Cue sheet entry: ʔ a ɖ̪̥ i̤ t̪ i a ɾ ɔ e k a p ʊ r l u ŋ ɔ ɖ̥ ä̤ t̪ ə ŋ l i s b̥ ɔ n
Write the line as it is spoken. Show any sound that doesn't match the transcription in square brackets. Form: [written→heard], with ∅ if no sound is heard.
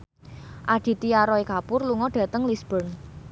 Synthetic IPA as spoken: ʔ a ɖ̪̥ i̤ t̪ i a ɾ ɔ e k a p ʊ r l u ŋ ɔ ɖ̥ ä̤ t̪ ə ŋ l i s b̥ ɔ n